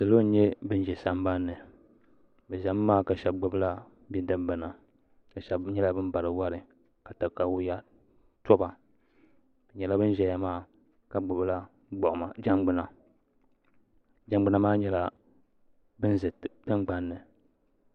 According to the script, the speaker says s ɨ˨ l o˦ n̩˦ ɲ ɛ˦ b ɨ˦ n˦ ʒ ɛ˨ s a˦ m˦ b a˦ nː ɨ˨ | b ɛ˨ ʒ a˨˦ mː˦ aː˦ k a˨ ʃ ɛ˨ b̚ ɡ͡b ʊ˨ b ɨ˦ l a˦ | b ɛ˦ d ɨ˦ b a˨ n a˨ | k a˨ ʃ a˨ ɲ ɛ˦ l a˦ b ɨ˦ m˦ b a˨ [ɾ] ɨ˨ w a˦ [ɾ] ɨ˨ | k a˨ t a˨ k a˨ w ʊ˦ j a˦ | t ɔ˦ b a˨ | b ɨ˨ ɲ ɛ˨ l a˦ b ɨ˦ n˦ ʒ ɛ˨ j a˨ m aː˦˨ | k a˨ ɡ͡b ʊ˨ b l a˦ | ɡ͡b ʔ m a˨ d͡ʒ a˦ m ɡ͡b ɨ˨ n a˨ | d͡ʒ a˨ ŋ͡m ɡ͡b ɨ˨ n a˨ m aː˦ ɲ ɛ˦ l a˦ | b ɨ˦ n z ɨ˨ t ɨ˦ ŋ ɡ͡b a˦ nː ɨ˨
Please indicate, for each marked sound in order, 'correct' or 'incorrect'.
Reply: correct, correct

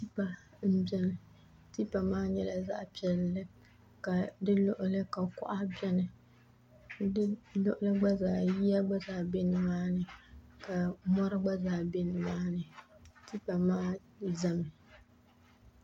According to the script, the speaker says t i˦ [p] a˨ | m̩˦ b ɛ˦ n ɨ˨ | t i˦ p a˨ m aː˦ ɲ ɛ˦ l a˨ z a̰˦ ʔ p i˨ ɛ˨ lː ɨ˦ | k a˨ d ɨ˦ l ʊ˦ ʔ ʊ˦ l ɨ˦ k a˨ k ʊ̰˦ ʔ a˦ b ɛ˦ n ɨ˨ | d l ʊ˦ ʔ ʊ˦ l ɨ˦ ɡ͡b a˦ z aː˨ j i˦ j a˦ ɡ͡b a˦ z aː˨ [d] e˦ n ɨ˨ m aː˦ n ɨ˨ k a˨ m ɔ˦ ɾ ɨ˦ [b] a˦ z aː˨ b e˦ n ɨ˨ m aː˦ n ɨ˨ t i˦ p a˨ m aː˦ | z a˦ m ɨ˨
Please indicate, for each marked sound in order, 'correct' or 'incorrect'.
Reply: correct, incorrect, incorrect

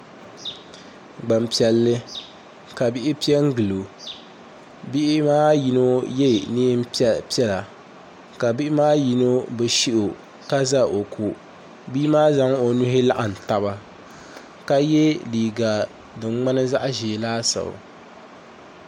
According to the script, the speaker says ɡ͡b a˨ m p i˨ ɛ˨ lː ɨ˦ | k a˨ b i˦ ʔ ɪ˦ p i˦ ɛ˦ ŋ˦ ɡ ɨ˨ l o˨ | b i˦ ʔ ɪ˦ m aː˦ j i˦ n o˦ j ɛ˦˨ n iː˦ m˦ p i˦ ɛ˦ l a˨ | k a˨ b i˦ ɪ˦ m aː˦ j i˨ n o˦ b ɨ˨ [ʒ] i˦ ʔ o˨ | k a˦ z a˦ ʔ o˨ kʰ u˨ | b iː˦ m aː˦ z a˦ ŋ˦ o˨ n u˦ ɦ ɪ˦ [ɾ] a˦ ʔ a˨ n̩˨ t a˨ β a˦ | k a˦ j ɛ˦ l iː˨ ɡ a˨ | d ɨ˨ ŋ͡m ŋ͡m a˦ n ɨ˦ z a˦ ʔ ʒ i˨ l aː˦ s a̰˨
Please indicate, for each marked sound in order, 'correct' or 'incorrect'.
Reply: incorrect, incorrect

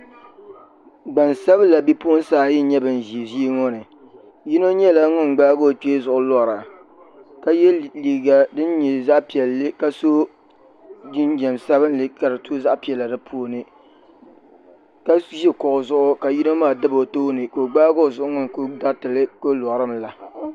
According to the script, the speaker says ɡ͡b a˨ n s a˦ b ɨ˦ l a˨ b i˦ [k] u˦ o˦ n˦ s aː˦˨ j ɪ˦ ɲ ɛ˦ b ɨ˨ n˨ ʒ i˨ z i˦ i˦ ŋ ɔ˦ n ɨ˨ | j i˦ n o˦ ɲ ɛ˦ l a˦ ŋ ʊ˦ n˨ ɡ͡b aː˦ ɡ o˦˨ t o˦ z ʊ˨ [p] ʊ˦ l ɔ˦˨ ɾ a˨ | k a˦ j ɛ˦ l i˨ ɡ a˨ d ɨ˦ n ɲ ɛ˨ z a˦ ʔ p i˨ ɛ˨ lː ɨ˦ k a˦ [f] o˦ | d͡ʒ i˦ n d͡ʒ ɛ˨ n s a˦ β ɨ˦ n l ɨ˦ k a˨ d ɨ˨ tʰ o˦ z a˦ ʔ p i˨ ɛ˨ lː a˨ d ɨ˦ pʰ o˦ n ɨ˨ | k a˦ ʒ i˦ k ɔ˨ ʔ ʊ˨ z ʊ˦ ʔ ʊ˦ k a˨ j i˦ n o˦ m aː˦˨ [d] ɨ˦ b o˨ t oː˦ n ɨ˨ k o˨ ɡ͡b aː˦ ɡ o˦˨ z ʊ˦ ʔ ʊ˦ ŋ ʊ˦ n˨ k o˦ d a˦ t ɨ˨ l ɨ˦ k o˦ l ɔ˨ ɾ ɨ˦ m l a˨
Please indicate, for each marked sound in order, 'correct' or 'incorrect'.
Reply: incorrect, incorrect, incorrect, correct

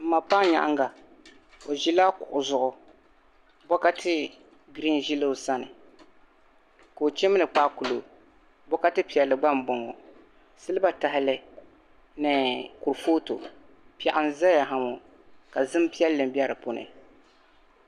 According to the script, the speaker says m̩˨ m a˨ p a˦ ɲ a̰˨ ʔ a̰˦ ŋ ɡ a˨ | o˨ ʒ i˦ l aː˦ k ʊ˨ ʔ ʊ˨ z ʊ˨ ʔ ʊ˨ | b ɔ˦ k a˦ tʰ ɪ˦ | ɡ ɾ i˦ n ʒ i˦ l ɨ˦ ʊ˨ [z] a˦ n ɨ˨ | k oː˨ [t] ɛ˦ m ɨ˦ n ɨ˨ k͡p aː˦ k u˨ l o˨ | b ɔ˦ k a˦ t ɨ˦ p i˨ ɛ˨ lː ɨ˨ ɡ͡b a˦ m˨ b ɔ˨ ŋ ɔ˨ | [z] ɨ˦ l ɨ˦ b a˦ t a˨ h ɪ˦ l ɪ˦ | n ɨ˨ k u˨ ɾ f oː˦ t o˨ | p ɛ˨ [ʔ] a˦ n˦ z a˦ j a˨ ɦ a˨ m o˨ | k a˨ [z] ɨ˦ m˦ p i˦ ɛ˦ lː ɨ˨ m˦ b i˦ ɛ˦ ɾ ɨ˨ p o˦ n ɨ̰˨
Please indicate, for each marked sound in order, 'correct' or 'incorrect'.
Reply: incorrect, incorrect, incorrect, correct, correct

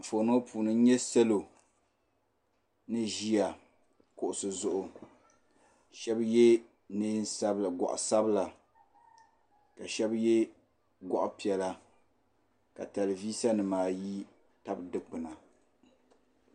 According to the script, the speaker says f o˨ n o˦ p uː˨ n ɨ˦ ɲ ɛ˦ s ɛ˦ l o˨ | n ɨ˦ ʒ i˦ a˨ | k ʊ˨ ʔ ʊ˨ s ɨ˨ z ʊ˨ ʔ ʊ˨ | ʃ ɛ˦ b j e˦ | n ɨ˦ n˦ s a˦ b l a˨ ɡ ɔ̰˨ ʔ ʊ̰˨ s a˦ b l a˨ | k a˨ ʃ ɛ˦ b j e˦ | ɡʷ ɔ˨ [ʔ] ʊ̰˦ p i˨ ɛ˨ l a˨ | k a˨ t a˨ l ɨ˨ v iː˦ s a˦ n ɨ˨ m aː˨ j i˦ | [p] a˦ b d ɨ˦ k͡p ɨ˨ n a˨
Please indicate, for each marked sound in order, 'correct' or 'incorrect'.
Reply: correct, incorrect

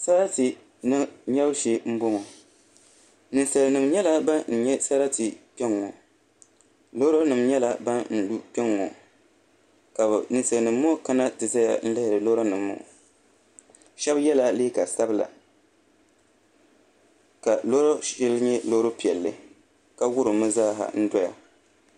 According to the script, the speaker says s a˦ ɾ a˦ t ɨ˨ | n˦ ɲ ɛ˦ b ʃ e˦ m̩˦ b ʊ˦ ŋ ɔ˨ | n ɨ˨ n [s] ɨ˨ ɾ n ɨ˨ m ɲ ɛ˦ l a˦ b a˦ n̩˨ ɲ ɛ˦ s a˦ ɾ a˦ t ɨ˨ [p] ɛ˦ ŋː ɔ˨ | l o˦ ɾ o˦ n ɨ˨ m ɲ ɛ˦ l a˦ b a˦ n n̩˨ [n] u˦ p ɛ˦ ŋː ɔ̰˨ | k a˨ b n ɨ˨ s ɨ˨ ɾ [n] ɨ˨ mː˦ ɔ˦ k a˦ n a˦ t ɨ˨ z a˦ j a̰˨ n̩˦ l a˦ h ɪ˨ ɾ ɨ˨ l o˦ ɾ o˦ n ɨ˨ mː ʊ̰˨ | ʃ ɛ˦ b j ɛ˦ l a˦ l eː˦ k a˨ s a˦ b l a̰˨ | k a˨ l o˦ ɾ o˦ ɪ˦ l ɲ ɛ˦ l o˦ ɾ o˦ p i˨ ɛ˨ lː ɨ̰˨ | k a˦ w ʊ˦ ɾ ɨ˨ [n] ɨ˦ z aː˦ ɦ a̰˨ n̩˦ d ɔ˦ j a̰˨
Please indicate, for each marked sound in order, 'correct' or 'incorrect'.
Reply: correct, correct, incorrect, correct, incorrect

